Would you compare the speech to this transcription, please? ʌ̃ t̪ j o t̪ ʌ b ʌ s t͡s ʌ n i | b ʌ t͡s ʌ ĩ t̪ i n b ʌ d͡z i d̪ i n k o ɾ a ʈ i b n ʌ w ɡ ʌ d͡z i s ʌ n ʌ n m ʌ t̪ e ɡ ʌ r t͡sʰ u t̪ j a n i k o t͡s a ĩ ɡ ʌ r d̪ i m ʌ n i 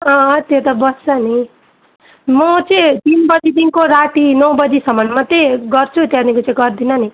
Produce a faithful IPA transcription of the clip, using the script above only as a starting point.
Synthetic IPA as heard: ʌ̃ t̪ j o t̪ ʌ b ʌ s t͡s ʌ n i | m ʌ t͡s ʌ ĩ t̪ i n b ʌ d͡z i d̪ i n k o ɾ a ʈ i n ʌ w b ʌ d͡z i s ʌ m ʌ n m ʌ t̪ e ɡ ʌ r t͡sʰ u t̪ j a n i k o t͡s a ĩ ɡ ʌ r d̪ i n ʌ n i

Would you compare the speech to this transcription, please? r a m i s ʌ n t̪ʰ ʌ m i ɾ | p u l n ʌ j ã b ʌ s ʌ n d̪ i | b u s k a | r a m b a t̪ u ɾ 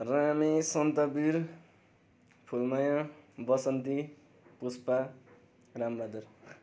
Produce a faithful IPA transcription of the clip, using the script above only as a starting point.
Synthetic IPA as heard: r a m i s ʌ n t̪ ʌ b i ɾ | pʰ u l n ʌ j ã b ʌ s ʌ n t̪ i | p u s p a | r a m b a d̪ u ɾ

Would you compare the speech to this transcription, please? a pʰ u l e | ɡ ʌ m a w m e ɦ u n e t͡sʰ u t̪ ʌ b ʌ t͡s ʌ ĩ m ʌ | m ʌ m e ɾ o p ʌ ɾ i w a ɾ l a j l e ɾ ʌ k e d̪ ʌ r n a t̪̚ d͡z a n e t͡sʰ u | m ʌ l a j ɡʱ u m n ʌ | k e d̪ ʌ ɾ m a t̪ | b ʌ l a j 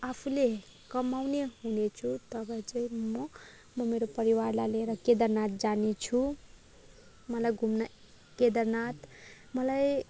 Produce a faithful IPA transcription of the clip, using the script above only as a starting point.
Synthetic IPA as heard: a pʰ u l e | k ʌ m a w n e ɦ u n e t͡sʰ u t̪ ʌ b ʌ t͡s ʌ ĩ m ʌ | m ʌ m e ɾ o p ʌ ɾ i w a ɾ l a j l e ɾ ʌ k e d̪ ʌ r n a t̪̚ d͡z a n e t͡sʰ u | m ʌ l a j ɡʱ u m n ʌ | k e d̪ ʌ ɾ n a t̪ | m ʌ l a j

